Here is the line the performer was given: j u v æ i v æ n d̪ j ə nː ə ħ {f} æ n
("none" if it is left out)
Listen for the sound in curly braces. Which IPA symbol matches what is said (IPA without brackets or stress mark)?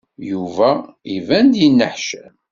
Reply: ʃ